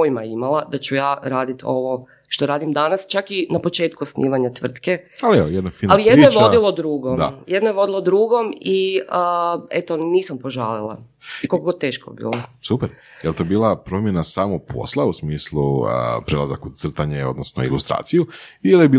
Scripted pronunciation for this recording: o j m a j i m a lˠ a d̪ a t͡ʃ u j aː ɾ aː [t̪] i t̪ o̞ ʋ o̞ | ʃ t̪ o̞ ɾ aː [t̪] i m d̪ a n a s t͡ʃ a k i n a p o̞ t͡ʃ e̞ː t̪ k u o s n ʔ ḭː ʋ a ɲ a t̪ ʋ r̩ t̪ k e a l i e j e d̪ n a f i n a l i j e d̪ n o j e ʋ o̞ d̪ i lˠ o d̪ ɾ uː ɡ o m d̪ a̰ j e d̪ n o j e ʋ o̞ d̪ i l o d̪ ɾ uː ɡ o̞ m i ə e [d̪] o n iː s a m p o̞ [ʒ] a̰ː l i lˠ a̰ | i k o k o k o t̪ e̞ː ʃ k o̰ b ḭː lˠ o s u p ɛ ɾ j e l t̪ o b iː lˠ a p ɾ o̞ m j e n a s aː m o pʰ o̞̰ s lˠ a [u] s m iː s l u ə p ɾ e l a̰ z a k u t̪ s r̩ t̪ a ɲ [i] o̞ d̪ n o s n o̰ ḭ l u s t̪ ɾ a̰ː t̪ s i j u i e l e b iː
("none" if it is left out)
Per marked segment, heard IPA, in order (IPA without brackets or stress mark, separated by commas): d̪, d̪, t̪, ʒ, u, e